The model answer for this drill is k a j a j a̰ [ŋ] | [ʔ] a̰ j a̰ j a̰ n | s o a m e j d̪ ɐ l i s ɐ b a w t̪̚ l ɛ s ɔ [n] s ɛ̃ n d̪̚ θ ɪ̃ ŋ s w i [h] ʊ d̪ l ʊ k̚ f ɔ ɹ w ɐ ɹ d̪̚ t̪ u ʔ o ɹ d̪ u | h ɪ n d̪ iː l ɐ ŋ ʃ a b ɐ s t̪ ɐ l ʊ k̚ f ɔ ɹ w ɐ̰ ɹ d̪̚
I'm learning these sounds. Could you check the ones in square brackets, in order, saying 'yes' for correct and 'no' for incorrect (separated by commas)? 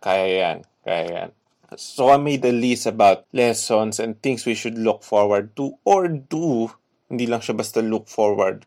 no, no, yes, no